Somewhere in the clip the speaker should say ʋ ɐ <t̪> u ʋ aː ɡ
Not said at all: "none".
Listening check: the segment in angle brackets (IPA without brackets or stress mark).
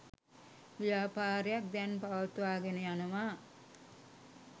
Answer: t̪